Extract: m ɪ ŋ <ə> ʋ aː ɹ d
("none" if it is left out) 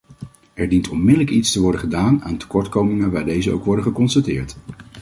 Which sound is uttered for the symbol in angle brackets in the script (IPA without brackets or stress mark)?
ə